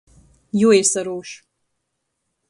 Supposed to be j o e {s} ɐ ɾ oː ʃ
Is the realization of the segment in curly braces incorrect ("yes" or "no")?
no